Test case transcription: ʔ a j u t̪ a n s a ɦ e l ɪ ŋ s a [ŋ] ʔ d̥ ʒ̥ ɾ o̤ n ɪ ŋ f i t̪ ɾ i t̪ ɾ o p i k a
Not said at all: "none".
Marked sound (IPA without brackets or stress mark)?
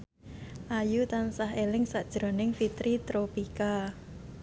none